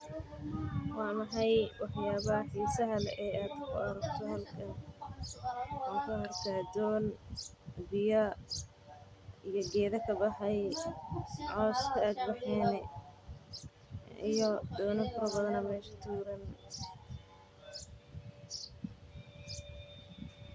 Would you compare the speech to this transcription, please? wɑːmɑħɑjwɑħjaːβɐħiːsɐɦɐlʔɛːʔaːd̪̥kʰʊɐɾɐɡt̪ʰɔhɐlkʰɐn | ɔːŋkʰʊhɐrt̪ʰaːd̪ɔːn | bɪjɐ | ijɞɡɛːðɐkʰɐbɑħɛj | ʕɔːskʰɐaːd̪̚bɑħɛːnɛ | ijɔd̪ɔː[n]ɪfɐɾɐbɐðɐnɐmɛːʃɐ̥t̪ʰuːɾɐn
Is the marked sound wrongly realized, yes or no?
no